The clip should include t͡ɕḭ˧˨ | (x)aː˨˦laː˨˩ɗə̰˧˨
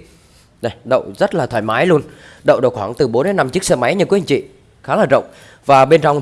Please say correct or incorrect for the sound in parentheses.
correct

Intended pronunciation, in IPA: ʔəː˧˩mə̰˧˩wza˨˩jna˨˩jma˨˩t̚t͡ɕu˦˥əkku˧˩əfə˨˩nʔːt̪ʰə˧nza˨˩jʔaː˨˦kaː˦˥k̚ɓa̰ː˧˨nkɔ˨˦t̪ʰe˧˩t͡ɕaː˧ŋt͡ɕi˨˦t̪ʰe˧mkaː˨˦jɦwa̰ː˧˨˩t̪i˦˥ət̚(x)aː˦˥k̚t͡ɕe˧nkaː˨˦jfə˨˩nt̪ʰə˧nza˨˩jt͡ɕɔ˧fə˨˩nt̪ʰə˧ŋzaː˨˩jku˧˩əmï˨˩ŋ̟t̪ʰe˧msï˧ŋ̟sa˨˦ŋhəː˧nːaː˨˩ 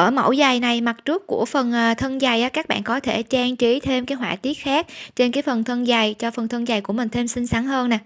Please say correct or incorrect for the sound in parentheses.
correct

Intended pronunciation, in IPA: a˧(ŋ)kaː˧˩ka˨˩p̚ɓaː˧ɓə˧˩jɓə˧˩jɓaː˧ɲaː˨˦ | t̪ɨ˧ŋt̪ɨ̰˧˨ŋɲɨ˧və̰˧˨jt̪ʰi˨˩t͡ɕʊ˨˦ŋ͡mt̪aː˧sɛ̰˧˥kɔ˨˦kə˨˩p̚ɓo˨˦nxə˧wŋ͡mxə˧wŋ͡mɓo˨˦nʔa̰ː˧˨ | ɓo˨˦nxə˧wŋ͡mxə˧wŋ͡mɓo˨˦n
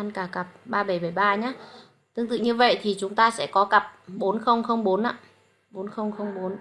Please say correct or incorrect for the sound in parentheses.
incorrect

